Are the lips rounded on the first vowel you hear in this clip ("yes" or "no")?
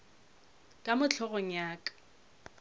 no